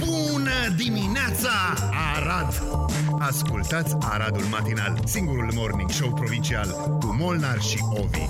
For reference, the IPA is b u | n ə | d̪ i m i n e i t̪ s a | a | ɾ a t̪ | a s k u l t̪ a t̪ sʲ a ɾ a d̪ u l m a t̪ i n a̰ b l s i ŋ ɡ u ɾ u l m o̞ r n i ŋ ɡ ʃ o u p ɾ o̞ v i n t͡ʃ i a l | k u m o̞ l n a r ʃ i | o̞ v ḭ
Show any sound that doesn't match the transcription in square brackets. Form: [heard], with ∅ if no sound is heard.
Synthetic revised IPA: b u | n ə | d̪ i m i n e [a] t̪ s a | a | ɾ a [d̪] | a s k u l t̪ a t̪ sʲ a ɾ a d̪ u l m a t̪ i n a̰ [∅] l s i ŋ ɡ u ɾ u l m o̞ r n i ŋ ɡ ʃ o [w] p ɾ o̞ v i n t͡ʃ i a l | k u m o̞ l n a r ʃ i | o̞ v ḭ